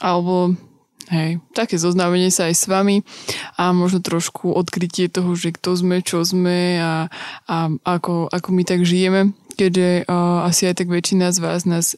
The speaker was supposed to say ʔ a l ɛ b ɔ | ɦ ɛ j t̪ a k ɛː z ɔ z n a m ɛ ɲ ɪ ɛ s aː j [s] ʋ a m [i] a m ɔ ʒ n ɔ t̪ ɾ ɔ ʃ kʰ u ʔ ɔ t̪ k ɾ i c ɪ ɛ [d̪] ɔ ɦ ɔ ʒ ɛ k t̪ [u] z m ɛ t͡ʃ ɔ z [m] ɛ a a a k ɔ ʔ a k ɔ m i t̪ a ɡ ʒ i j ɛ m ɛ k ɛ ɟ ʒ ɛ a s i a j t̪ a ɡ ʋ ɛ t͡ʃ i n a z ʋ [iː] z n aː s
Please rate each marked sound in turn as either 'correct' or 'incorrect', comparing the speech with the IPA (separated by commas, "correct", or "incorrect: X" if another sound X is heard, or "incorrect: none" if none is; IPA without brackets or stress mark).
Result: correct, correct, incorrect: t̪, incorrect: ɔ, correct, incorrect: aː